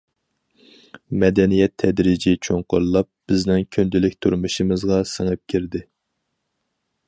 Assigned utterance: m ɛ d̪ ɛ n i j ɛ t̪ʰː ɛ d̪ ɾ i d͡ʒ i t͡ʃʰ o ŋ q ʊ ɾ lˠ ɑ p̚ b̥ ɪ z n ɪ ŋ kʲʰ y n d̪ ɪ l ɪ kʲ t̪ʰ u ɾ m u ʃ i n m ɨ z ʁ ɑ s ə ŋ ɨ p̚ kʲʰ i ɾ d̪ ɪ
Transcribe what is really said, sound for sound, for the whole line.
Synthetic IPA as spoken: m ɛ d̪ ɛ n i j ɛ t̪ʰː ɛ d̪ ɾ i d͡ʒ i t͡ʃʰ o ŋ q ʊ ɾ lˠ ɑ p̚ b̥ ɪ z n ɪ ŋ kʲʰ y n d̪ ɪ l ɪ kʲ t̪ʰ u ɾ m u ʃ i m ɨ z ʁ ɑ s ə ŋ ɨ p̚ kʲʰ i ɾ d̪ ɪ